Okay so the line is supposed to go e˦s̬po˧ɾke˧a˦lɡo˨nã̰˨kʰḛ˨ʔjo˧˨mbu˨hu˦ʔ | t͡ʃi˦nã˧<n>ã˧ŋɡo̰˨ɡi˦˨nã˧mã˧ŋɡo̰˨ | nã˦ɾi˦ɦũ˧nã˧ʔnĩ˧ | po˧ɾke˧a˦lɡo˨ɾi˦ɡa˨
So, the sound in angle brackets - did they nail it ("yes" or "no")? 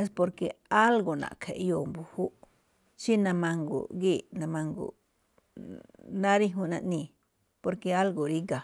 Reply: no